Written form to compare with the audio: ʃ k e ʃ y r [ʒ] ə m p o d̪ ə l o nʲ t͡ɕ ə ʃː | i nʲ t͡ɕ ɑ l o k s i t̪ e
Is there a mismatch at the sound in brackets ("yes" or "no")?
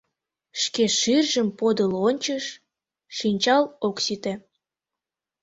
no